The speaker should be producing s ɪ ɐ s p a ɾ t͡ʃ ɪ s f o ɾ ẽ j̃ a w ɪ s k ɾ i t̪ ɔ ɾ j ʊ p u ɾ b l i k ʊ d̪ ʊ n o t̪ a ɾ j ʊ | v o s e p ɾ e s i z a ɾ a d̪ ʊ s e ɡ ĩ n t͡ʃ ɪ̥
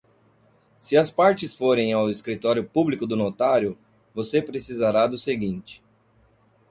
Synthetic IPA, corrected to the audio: s ɪ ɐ s p a ɾ t͡ʃ ɪ s f o ɾ ẽ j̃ a w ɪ s k ɾ i t̪ ɔ ɾ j ʊ p u b l i k ʊ d̪ ʊ n o t̪ a ɾ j ʊ | v o s e p ɾ e s i z a ɾ a d̪ ʊ s e ɡ ĩ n t͡ʃ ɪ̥